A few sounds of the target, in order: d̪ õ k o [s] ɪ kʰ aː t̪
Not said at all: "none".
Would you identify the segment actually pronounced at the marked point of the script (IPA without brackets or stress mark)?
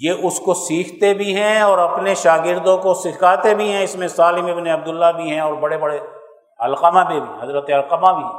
s